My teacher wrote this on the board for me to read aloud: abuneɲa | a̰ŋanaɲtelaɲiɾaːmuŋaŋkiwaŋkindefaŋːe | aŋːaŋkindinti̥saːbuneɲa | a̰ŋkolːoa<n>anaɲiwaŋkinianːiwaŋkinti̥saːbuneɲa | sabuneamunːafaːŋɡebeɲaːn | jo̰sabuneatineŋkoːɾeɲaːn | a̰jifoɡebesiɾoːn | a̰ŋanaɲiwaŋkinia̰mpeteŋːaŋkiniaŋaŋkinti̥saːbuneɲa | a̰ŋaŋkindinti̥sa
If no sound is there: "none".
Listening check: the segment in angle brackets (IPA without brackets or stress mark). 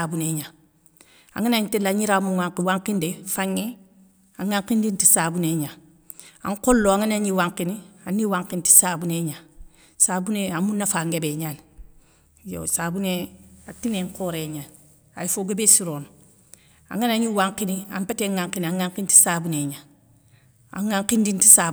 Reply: ŋ